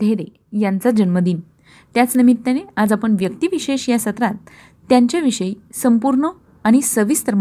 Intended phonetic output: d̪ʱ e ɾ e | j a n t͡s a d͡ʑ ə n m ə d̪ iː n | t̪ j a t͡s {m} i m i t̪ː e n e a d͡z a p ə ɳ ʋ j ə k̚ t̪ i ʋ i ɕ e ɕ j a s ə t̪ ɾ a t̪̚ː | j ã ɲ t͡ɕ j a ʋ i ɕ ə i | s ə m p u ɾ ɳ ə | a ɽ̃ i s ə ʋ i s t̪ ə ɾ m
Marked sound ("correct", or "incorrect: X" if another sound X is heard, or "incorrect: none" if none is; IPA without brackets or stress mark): incorrect: n